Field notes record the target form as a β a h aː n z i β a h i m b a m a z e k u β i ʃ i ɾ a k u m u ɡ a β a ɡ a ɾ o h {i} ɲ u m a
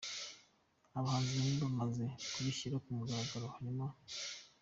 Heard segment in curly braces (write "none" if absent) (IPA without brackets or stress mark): a